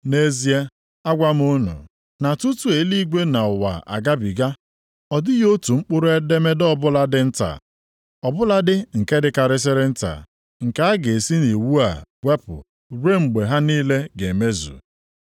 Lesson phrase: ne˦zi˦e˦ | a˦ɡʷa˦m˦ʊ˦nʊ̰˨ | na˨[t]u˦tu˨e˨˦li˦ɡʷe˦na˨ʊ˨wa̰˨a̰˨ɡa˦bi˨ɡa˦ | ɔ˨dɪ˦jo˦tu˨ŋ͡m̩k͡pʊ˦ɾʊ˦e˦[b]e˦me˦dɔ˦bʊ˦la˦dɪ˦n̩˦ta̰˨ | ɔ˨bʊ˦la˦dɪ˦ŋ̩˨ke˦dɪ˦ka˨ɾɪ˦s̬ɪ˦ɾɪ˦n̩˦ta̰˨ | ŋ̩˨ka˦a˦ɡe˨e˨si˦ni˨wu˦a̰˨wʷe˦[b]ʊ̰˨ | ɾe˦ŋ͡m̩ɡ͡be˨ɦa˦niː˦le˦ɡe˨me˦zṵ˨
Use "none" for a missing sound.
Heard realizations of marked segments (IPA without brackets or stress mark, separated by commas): t, d, p